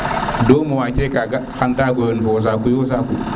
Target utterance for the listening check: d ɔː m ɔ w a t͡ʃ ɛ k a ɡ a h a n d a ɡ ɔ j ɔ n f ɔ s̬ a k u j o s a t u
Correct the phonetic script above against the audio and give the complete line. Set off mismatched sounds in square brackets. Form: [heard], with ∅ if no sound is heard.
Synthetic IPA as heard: d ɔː m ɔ w a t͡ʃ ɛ k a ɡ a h a n d a ɡ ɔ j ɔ n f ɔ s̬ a k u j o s a [k] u